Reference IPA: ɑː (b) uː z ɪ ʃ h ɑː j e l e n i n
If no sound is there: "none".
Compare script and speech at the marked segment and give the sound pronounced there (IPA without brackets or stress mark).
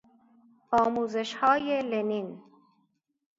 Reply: m